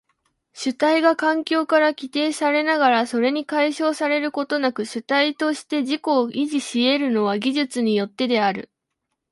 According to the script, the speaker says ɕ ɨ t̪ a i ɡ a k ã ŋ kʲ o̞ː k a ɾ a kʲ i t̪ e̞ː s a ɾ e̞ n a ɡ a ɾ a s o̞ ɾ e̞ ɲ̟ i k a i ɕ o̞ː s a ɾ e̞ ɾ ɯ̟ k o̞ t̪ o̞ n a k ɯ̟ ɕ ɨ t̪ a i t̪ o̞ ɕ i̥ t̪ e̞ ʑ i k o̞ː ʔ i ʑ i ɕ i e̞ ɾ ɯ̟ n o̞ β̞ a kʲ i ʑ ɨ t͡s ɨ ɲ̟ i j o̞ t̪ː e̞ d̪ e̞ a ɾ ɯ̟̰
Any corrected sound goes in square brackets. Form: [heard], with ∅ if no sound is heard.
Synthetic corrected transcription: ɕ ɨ t̪ a i ɡ a k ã ŋ kʲ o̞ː k a ɾ a kʲ i t̪ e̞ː s a ɾ e̞ n a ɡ a ɾ a s o̞ ɾ e̞ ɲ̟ i k a i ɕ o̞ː s a ɾ e̞ ɾ ɯ̟ k o̞ t̪ o̞ n a k ɯ̟ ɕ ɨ t̪ a i t̪ o̞ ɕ i̥ t̪ e̞ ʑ i k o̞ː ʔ i ʑ i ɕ i e̞ ɾ ɯ̟ n o̞ β̞ a [ɡʲ] i ʑ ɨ t͡s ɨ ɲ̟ i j o̞ t̪ː e̞ d̪ e̞ a ɾ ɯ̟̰